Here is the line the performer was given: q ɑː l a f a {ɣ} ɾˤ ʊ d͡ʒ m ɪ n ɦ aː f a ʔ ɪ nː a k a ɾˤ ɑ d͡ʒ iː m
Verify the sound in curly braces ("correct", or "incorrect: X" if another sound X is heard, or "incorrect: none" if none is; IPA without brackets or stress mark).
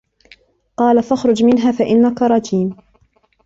incorrect: x